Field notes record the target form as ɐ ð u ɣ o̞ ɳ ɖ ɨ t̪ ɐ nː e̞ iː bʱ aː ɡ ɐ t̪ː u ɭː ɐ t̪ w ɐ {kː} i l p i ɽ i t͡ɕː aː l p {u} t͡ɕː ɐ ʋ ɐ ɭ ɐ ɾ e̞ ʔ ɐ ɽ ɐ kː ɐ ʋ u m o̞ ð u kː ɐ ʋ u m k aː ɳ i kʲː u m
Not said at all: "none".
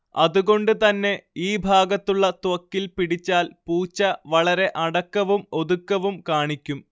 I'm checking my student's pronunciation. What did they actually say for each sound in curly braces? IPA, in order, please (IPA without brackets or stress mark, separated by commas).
kː, uː